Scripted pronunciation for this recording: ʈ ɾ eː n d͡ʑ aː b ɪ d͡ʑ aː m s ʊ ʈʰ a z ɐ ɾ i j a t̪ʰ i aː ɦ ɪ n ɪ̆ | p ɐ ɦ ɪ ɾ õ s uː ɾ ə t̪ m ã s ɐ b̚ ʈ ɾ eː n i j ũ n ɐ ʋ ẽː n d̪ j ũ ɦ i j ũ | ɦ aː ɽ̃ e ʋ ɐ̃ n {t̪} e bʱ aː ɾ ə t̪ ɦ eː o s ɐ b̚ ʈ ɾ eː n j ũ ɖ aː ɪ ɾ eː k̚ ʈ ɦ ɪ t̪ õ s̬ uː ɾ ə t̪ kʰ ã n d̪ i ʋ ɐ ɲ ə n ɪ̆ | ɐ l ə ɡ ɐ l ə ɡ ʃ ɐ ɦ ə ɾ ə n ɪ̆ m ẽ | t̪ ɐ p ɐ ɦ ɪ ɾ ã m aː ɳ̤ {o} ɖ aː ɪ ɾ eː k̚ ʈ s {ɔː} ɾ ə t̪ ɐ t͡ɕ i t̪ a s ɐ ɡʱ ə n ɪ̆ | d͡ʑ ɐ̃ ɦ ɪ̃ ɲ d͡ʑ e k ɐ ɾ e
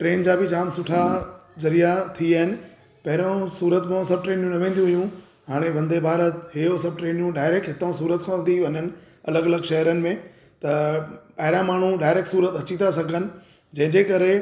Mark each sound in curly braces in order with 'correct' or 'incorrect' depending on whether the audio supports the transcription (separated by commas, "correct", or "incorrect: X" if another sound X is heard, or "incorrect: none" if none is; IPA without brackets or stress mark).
incorrect: d̪, incorrect: u, incorrect: uː